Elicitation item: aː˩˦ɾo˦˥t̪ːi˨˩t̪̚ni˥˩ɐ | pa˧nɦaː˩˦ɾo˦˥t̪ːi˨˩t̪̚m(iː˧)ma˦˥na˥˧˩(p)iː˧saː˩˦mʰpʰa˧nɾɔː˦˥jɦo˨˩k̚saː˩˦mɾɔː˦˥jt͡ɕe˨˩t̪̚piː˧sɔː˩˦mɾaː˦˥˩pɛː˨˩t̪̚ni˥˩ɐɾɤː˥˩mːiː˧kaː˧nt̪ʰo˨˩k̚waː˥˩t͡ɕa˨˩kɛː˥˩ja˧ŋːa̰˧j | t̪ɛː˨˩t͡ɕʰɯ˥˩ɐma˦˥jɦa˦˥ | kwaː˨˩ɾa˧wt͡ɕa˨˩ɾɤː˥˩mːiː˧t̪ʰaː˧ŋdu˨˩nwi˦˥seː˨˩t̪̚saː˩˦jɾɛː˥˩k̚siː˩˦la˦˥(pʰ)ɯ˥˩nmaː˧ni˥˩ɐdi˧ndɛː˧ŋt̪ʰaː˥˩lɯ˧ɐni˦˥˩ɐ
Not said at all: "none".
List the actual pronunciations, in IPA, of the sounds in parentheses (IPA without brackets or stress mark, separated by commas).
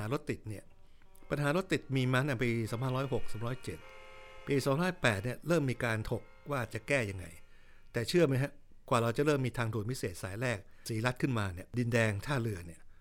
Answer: iː˧, p, kʰ